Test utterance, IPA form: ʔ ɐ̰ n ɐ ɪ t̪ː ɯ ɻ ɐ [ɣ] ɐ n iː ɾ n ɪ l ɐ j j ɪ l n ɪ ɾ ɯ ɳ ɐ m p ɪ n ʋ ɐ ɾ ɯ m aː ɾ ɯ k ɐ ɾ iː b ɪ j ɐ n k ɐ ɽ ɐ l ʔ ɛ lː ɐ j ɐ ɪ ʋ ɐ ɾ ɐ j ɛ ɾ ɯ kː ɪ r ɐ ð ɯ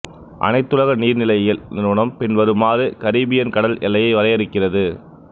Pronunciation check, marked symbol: correct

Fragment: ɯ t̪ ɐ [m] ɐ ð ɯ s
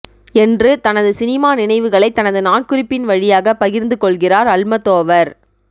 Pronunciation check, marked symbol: incorrect: n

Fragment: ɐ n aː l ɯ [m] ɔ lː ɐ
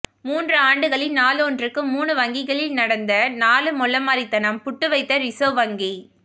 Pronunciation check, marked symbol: correct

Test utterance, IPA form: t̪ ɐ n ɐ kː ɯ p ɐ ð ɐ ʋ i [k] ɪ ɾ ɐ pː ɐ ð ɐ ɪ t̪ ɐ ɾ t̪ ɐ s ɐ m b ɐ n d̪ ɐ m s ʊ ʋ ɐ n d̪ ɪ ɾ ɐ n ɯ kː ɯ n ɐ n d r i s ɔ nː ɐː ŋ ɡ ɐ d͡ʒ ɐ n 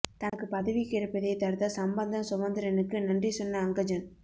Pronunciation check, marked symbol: correct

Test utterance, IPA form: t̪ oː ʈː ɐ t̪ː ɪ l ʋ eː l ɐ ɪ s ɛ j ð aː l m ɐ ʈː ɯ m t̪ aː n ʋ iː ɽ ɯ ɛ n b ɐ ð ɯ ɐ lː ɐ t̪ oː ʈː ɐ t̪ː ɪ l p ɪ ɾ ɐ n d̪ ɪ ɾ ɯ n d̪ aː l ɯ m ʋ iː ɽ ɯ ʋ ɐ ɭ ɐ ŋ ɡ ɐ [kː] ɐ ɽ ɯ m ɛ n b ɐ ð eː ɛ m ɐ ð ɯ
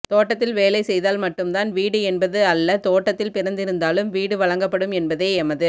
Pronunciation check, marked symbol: incorrect: pː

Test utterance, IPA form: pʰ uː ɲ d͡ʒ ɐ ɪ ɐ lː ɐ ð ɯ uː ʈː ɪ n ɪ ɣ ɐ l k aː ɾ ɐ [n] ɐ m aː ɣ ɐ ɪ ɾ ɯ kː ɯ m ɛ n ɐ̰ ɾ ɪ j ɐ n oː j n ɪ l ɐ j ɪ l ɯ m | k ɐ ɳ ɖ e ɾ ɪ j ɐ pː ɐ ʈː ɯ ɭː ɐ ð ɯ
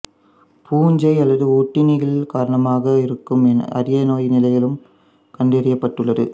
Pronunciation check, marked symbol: incorrect: ɳ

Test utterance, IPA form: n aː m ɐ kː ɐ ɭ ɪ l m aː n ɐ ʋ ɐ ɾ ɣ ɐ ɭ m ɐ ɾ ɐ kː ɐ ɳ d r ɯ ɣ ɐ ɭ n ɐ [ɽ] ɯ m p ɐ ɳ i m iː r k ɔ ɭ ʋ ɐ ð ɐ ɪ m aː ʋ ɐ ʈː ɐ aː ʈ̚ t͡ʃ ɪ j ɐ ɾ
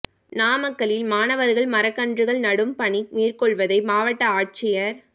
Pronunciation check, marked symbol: correct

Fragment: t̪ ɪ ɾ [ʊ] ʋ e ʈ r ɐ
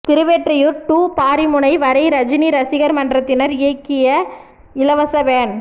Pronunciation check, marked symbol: incorrect: ɯ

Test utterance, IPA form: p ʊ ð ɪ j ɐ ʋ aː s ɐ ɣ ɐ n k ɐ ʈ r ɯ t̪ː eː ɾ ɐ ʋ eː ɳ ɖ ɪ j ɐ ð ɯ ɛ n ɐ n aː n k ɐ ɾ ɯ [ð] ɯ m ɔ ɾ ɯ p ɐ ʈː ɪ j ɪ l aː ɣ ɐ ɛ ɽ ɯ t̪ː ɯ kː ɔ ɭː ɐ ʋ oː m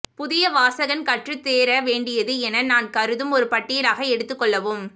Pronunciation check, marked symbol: correct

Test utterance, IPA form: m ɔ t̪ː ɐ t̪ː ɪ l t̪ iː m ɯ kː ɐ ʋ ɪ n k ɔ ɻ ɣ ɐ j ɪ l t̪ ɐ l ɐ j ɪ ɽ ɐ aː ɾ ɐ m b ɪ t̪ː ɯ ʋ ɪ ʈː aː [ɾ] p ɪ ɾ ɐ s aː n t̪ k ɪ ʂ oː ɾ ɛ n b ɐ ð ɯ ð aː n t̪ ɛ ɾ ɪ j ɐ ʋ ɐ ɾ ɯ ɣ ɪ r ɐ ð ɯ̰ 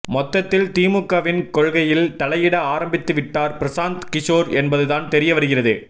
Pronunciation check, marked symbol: correct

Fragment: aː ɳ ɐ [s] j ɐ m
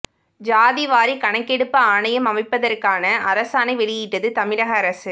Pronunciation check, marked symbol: incorrect: none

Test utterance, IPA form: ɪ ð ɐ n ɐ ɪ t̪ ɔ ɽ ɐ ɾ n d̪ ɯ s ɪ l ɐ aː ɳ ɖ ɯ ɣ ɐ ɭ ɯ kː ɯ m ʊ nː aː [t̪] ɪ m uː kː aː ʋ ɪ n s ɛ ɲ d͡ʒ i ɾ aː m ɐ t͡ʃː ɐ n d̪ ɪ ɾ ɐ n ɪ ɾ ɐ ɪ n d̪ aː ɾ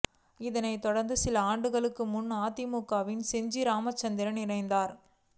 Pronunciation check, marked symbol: correct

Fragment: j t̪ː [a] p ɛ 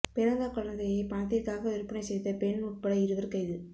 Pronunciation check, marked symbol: incorrect: ɐ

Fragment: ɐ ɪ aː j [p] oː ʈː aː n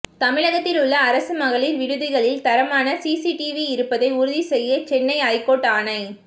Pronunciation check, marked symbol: incorrect: k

